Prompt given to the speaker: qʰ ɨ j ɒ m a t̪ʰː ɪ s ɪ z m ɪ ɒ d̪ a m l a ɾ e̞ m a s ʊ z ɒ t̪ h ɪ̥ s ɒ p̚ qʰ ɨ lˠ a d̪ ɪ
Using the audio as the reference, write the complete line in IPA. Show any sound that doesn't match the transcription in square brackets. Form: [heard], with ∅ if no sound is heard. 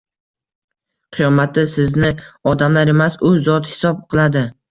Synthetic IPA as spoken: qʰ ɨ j ɒ m a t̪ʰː ɪ s ɪ z [n] ɪ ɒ d̪ a m l a ɾ e̞ m a s ʊ z ɒ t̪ h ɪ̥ s ɒ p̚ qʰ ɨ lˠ a d̪ ɪ